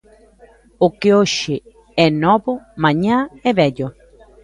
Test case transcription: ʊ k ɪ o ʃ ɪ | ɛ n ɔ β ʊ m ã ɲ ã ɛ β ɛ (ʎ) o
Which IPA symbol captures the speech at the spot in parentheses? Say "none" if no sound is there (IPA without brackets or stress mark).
ʎ